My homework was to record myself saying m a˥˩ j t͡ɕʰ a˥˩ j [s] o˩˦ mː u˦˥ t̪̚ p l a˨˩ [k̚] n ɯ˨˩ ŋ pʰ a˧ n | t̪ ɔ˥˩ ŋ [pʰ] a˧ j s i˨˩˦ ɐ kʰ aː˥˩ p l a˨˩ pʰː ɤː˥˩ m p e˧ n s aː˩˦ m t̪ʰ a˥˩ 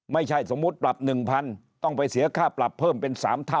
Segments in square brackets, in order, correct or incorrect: correct, incorrect: p̚, incorrect: p

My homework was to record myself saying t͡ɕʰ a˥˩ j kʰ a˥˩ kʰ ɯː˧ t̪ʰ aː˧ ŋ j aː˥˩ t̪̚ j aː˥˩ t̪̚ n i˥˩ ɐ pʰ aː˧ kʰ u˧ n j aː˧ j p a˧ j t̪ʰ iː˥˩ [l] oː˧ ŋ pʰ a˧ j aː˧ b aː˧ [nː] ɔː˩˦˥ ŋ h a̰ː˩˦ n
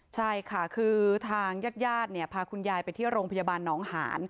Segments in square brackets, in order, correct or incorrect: incorrect: ɾ, correct

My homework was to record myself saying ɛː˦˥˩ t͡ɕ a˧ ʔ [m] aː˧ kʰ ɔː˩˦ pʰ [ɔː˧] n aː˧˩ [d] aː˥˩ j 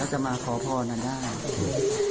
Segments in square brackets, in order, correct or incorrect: correct, correct, correct

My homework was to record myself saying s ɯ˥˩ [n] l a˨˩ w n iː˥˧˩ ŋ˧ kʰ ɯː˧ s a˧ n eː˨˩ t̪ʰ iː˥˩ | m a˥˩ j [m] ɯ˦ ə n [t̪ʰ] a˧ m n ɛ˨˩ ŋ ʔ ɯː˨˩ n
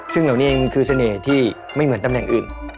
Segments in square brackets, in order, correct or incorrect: incorrect: ŋ, correct, incorrect: t̪

